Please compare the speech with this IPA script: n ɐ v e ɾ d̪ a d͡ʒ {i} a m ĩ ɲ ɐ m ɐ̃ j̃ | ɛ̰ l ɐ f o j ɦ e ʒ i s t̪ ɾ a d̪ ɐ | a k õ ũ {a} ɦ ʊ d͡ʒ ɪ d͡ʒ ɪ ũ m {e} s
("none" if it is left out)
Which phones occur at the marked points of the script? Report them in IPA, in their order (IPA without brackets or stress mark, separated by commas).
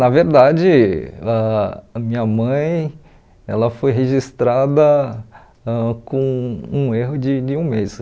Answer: ɪ, e, e